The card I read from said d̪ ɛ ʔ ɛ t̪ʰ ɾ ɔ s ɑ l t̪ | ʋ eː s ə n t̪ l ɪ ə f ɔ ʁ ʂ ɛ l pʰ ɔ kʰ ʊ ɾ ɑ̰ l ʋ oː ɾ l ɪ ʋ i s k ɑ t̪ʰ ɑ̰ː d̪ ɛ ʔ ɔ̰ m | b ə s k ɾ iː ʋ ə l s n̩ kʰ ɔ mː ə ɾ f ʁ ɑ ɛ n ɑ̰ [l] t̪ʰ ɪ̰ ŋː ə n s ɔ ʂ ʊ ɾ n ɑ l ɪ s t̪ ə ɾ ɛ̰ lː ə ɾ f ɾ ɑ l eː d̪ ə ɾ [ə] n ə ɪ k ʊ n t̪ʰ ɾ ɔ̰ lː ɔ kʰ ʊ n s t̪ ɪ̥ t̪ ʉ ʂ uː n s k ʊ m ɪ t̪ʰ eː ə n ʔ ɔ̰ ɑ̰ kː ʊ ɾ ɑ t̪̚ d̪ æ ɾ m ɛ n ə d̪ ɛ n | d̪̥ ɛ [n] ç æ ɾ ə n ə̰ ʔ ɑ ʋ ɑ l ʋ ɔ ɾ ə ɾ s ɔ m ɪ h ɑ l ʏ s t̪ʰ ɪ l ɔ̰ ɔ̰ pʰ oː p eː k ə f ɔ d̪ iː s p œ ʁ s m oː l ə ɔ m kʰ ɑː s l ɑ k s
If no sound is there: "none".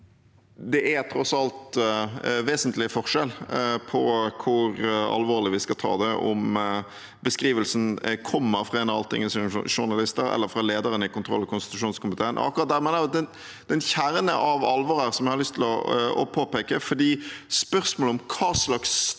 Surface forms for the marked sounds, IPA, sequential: l, ə, n

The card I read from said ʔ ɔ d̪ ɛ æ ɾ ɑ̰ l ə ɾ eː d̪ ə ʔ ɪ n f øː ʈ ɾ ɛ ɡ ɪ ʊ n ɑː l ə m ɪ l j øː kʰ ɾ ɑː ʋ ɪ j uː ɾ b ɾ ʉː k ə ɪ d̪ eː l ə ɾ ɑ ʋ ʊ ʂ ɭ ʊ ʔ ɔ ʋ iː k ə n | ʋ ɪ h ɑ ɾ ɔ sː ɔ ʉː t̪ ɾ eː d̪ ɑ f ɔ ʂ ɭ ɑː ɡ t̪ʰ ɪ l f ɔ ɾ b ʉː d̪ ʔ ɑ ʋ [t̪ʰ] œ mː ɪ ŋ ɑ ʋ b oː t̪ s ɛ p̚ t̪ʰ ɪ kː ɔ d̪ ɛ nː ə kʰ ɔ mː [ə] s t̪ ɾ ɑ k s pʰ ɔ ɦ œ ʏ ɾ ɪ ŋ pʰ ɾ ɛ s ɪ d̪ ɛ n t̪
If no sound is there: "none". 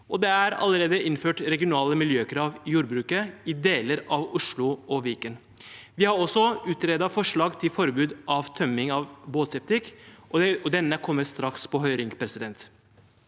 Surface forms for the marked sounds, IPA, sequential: t̪ʰ, ə

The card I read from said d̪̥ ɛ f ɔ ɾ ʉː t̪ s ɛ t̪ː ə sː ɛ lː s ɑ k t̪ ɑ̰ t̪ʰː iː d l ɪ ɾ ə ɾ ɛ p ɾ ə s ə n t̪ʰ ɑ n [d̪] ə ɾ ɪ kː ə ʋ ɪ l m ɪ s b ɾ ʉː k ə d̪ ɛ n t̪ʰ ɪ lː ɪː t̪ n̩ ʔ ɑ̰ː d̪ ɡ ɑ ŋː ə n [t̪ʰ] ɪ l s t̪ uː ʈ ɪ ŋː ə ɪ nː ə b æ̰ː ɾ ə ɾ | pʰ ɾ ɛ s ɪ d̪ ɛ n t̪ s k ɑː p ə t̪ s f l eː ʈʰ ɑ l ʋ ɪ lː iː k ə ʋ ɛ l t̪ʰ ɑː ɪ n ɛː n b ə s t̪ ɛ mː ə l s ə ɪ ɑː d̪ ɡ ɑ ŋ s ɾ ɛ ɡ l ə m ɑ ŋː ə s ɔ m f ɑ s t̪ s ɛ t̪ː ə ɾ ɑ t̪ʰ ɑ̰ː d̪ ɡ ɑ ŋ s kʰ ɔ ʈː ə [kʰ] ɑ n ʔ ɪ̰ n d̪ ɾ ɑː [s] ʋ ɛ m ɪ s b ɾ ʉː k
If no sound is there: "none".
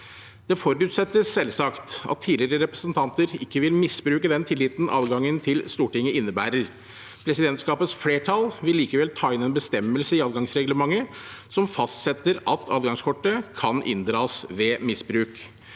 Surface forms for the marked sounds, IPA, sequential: t̪, t̪ʰ, kʰ, s

